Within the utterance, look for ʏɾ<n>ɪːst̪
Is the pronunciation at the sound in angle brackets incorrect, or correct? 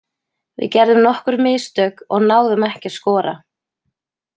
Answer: incorrect